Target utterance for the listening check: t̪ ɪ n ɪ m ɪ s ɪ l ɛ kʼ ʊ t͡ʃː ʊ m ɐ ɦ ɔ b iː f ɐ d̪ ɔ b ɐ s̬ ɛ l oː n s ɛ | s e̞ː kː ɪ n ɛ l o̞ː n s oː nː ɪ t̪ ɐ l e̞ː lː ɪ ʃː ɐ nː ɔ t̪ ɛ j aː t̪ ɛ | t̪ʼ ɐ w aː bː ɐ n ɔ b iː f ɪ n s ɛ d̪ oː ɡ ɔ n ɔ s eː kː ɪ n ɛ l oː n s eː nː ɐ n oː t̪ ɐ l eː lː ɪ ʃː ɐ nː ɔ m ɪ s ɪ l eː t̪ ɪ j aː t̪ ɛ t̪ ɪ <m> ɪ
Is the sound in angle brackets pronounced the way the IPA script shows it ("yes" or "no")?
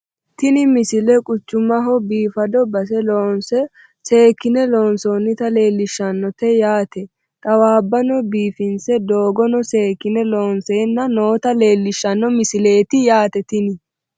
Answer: no